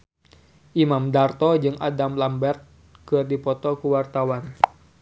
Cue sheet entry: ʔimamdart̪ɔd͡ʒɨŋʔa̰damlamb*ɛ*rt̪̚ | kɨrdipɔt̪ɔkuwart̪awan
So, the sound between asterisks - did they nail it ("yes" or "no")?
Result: yes